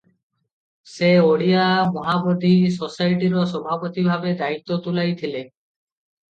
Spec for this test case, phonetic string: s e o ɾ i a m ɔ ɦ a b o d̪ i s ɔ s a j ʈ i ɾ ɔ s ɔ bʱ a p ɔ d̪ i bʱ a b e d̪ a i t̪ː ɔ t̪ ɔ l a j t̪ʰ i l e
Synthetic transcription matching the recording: s e o ɽ i a m ɔ ɦ a b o d̪ i s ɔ s a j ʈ i ɾ ɔ s ɔ bʱ a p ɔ t̪ i bʱ a b e d̪ a i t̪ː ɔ t̪ u l a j t̪ʰ i l e